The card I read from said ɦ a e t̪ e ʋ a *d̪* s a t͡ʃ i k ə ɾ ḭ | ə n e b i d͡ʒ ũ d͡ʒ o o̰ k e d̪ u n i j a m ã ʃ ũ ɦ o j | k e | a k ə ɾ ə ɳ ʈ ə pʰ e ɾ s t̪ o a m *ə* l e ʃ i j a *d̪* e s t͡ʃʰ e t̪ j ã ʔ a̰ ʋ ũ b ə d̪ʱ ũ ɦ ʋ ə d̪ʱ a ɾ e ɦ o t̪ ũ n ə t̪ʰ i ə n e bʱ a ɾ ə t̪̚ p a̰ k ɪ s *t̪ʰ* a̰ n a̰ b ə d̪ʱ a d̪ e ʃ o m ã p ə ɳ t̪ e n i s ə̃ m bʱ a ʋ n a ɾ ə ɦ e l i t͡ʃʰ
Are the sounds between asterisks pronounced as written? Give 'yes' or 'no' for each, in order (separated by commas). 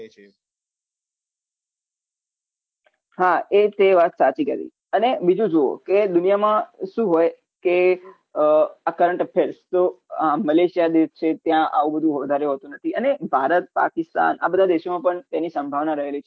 no, yes, yes, no